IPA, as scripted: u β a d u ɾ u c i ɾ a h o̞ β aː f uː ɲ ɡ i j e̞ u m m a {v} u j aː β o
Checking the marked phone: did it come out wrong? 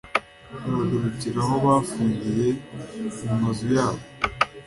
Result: yes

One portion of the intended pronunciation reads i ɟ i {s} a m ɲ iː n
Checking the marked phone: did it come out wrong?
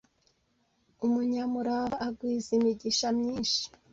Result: yes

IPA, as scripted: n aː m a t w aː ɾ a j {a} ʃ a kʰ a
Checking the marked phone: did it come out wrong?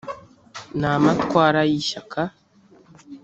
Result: yes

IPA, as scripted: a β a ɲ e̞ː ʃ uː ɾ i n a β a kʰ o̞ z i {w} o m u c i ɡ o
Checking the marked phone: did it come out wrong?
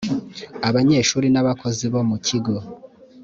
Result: yes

